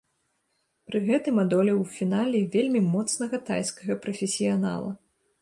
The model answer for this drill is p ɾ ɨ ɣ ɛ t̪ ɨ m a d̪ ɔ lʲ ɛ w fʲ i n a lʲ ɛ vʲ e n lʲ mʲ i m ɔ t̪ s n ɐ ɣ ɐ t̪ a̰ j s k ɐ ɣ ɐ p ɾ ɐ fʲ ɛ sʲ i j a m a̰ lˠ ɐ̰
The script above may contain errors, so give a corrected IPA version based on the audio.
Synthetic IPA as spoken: p ɾ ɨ ɣ ɛ t̪ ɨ m a d̪ ɔ lʲ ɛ w fʲ i n a lʲ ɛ vʲ e lʲ mʲ i m ɔ t̪ s n ɐ ɣ ɐ t̪ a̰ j s k ɐ ɣ ɐ p ɾ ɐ fʲ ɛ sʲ i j a n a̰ lˠ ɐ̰